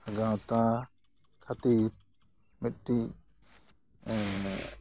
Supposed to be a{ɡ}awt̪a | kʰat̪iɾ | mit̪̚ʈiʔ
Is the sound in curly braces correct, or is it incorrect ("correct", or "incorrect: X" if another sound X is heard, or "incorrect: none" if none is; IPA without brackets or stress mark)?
correct